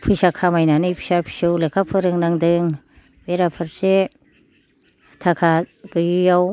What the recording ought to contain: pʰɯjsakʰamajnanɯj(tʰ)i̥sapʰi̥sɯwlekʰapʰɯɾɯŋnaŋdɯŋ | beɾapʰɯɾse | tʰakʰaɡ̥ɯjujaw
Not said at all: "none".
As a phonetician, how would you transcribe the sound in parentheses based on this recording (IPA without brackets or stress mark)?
pʰ